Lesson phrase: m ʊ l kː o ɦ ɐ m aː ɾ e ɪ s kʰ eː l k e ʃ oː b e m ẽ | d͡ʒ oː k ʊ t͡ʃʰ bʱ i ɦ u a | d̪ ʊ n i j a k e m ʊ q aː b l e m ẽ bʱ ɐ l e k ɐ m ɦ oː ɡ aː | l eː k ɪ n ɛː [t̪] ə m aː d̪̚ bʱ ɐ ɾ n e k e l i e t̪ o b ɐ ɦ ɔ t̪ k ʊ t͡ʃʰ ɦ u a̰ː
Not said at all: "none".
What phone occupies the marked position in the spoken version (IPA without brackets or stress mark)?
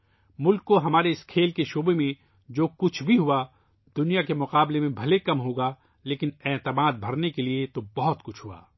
t̪